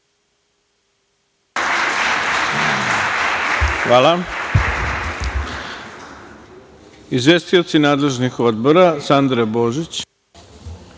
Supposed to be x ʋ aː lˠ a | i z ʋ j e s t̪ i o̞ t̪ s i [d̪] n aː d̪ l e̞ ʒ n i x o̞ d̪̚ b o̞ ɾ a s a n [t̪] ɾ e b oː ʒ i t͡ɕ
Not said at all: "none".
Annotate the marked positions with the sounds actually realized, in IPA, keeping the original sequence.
none, d̪

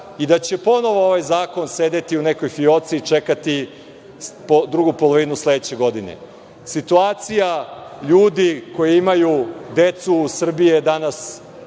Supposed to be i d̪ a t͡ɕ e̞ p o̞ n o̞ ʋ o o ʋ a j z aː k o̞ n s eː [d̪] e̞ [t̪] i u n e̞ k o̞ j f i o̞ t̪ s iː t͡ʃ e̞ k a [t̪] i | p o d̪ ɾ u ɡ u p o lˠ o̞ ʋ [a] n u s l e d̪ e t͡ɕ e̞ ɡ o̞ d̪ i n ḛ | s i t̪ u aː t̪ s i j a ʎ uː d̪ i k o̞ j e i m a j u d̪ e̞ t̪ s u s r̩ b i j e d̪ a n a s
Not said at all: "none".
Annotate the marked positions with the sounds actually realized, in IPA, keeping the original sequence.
d̪, t̪, t̪, i

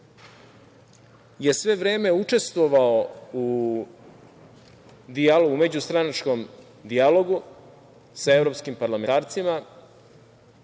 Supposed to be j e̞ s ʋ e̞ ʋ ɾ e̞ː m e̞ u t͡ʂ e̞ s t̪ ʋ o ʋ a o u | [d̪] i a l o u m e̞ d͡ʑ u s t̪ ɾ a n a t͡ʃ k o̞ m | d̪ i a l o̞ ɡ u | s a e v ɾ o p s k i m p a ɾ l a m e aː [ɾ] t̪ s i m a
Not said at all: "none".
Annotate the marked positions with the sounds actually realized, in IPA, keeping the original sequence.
d̪, ɾ

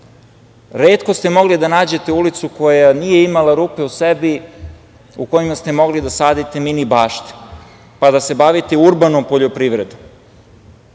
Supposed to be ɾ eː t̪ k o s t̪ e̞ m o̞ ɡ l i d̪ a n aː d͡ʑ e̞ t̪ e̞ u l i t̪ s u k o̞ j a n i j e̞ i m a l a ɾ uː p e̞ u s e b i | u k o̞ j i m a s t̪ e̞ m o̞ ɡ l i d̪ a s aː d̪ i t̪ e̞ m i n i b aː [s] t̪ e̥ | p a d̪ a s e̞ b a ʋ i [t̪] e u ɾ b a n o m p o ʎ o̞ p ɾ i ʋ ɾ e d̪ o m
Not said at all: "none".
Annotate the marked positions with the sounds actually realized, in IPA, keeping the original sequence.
ʃ, t̪

